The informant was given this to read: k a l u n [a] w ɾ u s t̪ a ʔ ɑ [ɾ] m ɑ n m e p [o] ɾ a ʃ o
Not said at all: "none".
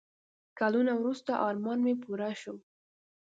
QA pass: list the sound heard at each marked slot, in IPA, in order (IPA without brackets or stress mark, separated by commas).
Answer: a, ɾ, u